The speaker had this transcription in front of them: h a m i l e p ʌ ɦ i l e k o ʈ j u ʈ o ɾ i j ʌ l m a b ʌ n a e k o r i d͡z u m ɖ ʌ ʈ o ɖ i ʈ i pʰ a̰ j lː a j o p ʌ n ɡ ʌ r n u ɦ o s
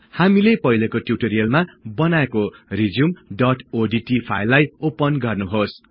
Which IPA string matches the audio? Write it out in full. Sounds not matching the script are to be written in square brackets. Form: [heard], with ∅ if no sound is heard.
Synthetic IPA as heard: h a m i l e p ʌ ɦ i l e k o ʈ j u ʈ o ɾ i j ʌ l m a b ʌ n a e k o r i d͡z u m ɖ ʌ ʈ o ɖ i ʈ i pʰ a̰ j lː a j o p ʌ n ɡ ʌ r n u ɦ o s